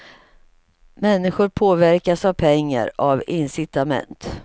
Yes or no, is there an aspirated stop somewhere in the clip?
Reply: yes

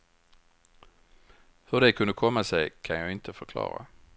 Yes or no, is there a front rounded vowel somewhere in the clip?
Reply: yes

